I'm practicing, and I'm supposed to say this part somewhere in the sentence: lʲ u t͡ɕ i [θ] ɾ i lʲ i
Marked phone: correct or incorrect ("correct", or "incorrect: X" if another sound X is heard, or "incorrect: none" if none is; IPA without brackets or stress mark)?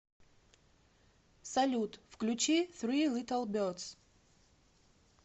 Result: correct